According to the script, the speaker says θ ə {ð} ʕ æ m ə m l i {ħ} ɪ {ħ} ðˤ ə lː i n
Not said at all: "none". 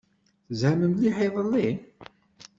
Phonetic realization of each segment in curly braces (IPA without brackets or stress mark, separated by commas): z, ħ, none